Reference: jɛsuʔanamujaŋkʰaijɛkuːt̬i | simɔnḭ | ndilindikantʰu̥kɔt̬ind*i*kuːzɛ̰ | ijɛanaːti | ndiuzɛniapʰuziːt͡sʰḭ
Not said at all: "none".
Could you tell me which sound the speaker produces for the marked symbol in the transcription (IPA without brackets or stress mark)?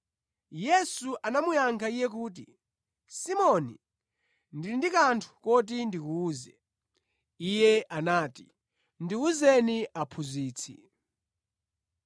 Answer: i